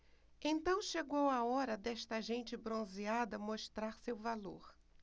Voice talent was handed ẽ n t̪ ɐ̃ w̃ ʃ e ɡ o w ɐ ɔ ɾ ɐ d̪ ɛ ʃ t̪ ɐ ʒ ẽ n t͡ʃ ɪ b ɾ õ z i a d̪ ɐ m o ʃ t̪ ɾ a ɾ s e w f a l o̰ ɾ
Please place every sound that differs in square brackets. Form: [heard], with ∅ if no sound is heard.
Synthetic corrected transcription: ẽ n t̪ ɐ̃ w̃ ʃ e ɡ o w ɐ ɔ ɾ ɐ d̪ ɛ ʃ t̪ ɐ ʒ ẽ n t͡ʃ ɪ b ɾ õ z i a d̪ ɐ m o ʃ t̪ ɾ a ɾ s e w [v] a l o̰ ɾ